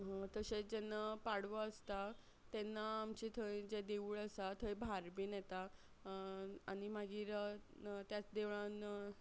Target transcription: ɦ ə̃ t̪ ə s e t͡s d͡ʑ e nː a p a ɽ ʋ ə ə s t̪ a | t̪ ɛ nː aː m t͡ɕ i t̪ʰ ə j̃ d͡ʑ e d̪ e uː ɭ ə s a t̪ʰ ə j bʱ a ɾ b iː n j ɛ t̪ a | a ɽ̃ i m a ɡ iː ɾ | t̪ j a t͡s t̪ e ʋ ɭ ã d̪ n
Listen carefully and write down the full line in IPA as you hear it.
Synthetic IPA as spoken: ɦ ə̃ t̪ ə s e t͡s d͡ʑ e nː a p a ɽ ʋ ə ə s t̪ a | t̪ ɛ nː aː m t͡ɕ i t̪ʰ ə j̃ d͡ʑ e d̪ e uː ɭ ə s a t̪ʰ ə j bʱ a ɾ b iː n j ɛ t̪ a | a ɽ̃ i m a ɡ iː ɾ | t̪ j a t͡s d̪ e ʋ ɭ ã n